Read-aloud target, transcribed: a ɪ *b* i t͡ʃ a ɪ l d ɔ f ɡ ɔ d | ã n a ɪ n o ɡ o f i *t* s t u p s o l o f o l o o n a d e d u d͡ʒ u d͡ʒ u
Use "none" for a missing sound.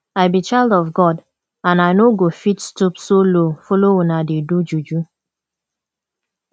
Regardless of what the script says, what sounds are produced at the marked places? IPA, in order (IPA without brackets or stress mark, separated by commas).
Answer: b, t